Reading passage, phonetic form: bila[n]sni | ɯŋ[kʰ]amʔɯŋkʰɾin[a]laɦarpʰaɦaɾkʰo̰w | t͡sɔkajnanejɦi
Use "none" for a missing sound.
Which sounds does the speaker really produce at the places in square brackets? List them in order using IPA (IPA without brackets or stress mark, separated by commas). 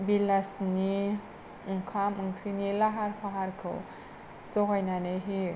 none, kʰ, i